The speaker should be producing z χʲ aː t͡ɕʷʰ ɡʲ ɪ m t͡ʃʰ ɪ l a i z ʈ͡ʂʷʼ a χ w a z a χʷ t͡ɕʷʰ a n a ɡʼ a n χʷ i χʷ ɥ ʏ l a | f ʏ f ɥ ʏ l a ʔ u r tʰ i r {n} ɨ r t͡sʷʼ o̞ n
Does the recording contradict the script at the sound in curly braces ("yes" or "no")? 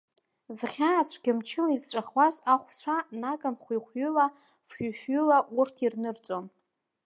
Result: no